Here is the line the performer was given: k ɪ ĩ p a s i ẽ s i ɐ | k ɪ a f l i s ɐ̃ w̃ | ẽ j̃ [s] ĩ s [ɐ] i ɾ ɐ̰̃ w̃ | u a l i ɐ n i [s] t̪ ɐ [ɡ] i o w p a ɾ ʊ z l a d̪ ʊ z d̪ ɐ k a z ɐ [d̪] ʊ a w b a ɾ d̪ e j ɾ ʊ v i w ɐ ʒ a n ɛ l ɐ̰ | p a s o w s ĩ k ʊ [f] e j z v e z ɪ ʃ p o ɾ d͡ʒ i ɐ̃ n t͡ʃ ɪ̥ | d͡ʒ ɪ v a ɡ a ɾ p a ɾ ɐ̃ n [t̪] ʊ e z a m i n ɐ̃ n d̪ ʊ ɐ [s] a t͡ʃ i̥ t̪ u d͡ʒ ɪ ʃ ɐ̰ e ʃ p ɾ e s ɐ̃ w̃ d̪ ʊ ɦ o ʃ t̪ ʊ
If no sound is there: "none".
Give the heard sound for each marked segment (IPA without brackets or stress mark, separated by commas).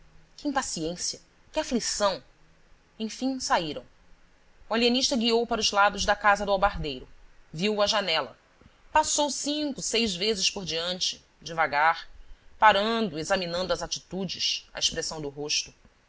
f, a, ʃ, ɡ, d̪, s, d̪, z